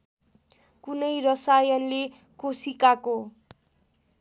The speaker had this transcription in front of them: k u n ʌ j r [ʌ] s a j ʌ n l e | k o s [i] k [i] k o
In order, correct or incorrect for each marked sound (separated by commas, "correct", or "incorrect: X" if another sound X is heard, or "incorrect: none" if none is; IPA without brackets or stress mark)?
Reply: correct, correct, incorrect: a